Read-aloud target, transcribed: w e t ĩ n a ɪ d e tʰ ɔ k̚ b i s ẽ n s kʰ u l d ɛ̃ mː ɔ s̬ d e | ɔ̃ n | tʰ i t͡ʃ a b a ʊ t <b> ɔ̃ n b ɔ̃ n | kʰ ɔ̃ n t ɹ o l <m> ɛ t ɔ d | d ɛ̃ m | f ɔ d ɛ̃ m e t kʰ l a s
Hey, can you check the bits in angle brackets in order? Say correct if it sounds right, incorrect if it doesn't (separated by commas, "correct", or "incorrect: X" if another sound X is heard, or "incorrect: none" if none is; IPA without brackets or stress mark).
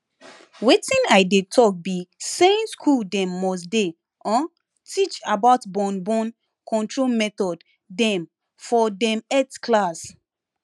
correct, correct